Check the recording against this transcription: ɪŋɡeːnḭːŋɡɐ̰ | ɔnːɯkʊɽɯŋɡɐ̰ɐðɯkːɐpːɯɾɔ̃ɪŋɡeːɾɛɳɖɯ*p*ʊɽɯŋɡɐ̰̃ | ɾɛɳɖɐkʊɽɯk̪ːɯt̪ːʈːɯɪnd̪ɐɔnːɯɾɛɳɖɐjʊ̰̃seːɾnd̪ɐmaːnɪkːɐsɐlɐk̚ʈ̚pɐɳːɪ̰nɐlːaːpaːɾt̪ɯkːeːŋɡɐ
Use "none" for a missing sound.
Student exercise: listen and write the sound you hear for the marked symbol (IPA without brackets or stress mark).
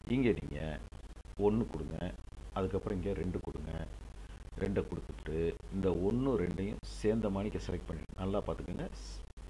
k